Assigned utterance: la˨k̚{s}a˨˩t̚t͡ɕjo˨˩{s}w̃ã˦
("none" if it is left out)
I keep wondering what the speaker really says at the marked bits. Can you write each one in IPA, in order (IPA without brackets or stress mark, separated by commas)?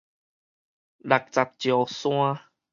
t͡s, s